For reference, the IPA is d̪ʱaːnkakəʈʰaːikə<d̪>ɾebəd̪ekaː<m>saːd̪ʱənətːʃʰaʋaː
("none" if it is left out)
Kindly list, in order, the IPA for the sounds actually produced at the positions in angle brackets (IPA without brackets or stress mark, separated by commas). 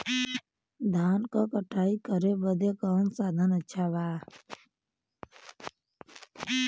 none, n